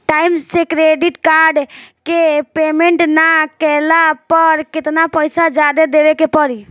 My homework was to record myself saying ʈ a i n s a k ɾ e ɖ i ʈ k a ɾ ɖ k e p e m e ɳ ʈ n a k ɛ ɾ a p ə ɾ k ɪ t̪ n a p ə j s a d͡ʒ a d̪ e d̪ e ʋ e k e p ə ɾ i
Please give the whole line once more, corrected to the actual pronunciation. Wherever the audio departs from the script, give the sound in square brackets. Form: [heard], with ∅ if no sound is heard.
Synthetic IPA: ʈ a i [m] s [e] k ɾ e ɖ i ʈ k a ɾ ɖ k e p e m e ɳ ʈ n a k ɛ [l] a p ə ɾ k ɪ t̪ n a p ə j s a d͡ʒ a d̪ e d̪ e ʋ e k e p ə ɾ i